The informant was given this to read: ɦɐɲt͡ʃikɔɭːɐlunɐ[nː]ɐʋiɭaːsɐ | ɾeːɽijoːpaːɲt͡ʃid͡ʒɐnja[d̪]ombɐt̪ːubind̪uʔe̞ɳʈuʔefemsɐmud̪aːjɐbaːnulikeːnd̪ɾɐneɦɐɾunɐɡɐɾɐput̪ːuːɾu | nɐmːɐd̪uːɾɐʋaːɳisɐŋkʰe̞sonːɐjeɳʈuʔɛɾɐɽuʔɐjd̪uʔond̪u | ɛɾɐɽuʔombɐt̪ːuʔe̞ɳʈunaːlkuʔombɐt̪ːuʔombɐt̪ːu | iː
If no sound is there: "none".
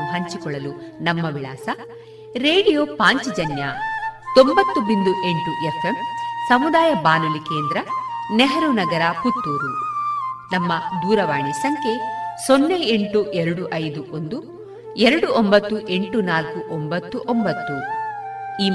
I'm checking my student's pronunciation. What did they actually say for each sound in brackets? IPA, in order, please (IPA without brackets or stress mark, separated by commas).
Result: mː, t̪